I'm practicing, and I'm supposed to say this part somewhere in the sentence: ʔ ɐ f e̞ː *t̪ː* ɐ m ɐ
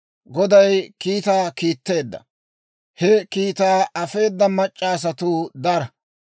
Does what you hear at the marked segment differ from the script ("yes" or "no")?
yes